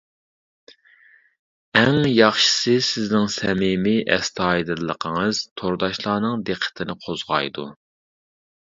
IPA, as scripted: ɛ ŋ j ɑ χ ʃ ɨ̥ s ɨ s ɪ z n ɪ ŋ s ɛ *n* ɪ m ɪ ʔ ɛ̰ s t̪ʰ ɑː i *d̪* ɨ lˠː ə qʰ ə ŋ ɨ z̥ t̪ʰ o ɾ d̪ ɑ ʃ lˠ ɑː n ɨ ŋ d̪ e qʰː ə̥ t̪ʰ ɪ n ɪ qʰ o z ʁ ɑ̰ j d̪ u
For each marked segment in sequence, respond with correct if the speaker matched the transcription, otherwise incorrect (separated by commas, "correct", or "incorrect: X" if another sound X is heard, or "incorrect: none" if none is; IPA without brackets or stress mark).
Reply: incorrect: m, correct